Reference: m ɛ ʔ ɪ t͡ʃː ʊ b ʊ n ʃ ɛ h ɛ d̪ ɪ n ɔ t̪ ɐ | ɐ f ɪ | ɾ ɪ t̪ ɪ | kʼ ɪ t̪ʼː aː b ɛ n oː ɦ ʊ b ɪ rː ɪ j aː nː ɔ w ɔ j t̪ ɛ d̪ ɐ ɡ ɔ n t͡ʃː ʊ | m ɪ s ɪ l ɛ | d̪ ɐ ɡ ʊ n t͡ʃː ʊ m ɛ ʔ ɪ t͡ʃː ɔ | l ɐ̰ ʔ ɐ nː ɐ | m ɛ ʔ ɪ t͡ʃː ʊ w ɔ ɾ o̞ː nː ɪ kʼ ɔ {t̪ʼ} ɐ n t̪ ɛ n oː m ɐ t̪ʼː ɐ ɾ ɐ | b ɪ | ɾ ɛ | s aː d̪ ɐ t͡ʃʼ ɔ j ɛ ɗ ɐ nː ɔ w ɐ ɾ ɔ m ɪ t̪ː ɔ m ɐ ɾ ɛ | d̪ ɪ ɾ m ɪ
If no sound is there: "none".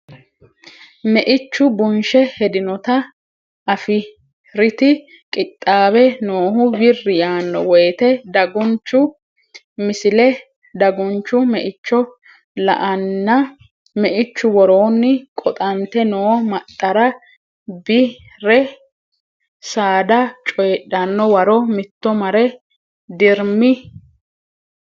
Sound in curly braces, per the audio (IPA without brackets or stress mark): t̪ʼ